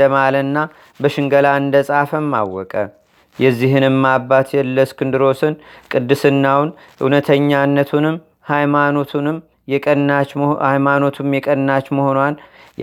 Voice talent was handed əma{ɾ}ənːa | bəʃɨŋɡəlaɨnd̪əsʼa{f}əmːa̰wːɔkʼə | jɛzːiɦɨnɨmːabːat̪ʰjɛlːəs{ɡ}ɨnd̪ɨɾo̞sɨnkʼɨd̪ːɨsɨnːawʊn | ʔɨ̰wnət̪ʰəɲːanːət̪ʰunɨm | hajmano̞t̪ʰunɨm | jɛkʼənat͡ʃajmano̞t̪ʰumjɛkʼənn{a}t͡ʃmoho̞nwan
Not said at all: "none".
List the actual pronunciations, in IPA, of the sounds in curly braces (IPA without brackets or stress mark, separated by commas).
l, f, k, a